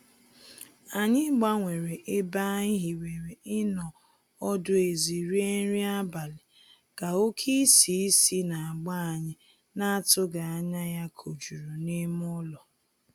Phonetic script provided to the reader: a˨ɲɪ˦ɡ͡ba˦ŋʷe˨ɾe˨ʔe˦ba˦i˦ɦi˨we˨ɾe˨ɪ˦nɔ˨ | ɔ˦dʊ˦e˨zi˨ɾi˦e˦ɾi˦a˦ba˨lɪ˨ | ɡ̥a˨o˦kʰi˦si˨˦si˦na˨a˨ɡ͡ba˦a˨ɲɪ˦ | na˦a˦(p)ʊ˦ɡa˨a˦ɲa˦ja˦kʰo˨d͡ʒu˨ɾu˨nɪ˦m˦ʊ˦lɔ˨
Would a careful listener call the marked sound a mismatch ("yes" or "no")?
yes